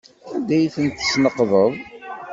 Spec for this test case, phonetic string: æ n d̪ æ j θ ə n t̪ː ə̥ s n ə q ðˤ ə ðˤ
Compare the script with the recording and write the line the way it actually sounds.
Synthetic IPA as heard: æ n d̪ æ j θ ə n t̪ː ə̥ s n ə q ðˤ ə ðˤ